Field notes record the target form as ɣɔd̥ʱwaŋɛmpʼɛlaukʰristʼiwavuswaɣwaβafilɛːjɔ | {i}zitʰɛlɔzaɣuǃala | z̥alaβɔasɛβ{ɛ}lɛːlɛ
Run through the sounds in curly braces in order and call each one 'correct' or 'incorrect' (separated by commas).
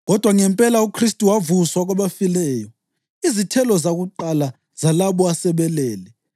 correct, correct